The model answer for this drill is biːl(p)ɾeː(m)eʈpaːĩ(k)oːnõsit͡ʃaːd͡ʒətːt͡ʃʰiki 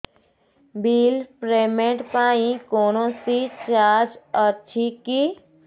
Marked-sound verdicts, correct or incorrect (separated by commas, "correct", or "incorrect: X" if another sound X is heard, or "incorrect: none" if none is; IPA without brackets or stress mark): correct, correct, correct